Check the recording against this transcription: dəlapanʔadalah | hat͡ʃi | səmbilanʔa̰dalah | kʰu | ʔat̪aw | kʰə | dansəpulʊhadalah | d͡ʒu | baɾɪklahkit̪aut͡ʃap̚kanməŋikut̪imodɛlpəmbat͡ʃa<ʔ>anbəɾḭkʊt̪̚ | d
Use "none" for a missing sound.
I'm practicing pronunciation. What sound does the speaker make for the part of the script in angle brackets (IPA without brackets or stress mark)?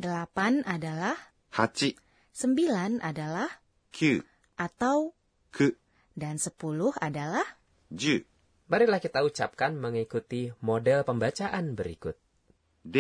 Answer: ʔ